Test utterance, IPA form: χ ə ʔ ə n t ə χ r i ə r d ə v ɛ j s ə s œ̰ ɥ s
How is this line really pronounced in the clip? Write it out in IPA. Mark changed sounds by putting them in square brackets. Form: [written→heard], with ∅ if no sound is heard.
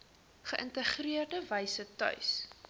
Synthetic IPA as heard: χ ə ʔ ə n t ə χ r i ə r d ə v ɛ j s ə [s→t] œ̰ ɥ s